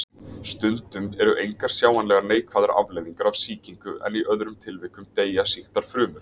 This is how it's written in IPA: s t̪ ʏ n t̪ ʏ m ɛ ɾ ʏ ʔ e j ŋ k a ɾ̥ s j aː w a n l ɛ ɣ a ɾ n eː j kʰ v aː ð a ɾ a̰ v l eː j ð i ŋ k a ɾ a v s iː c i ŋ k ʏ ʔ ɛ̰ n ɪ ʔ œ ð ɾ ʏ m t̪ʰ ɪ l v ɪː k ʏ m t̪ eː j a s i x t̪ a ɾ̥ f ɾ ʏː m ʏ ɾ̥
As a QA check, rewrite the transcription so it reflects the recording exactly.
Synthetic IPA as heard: s t̪ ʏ n t̪ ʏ m ɛ ɾ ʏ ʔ e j ŋ k a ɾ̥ s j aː w a n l ɛ ɣ a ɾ n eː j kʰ v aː ð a ɾ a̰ v l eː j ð i ŋ k a ɾ a v s iː c i ŋ k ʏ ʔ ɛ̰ n i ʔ œ ð ɾ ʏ m t̪ʰ ɪ l v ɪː k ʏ m t̪ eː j a s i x t̪ a ɾ̥ f ɾ ʏː m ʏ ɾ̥